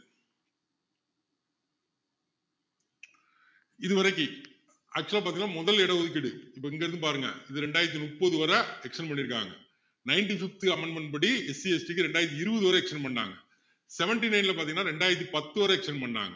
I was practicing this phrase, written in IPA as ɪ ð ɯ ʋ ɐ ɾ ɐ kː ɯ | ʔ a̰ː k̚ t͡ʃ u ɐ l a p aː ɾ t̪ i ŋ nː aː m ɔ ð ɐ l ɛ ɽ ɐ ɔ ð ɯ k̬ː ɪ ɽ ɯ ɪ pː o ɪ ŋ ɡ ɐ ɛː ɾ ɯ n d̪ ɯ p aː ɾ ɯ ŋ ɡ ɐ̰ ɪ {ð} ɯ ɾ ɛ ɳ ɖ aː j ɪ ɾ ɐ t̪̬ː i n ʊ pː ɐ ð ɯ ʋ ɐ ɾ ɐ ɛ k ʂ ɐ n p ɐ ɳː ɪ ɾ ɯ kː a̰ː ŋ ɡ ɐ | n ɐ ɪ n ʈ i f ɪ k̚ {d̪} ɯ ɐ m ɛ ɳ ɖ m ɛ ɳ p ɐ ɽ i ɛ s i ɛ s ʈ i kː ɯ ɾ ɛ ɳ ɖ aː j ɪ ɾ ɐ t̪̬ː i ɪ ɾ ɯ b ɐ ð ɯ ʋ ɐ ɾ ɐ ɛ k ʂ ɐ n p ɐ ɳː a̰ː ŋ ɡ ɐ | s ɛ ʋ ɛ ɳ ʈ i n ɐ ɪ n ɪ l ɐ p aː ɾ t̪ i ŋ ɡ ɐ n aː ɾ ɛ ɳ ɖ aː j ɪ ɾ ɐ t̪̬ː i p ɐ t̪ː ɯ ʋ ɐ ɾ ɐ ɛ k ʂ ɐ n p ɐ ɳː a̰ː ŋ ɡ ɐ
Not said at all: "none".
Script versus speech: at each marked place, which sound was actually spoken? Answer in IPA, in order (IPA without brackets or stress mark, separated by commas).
ð, t̪